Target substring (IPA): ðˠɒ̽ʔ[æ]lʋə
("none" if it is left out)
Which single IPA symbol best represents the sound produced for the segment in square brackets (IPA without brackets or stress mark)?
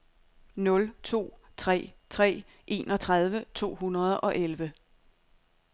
e